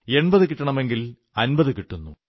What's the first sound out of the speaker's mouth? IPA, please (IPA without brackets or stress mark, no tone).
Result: e̞